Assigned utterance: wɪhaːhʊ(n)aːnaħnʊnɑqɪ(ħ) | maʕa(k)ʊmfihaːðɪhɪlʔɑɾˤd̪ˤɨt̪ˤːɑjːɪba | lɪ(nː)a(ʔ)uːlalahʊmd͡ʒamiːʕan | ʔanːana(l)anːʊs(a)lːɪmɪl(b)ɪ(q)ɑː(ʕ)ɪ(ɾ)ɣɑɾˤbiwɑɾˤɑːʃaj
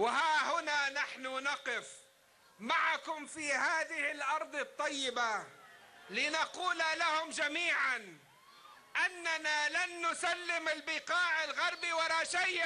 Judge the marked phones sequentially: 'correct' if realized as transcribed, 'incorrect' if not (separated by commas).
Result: correct, incorrect, correct, incorrect, incorrect, correct, correct, correct, correct, correct, incorrect